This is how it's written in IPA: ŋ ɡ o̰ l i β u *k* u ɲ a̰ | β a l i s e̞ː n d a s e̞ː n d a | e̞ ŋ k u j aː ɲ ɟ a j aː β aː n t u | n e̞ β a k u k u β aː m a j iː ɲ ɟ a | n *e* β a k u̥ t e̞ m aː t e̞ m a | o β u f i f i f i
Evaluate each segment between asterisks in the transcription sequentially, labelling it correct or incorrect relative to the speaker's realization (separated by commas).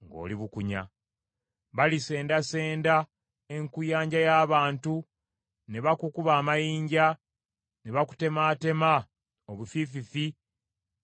correct, correct